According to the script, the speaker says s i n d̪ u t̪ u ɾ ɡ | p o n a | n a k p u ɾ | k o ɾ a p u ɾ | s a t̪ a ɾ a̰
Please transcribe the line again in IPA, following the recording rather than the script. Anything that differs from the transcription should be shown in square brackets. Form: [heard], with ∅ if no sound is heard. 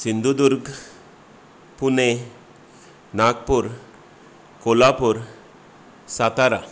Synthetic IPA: s i n d̪ u [d̪] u ɾ ɡ | p [u] n [e] | n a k p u ɾ | k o [l] a p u ɾ | s a t̪ a ɾ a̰